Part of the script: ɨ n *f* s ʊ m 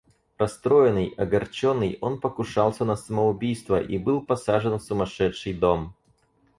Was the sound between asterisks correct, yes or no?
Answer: yes